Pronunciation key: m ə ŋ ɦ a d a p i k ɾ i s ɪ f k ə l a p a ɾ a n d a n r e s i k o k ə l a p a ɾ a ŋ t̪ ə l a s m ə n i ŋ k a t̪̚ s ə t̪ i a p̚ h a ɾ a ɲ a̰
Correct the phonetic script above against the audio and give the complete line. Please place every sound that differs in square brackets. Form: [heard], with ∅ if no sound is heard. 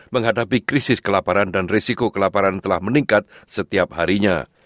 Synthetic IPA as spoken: m ə ŋ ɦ a d a p i k ɾ i s ɪ [s] k ə l a p a ɾ a n d a n r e s i k o k ə l a p a ɾ a [n] t̪ ə l a [h] m ə n i ŋ k a t̪̚ s ə t̪ i a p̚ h a ɾ [i] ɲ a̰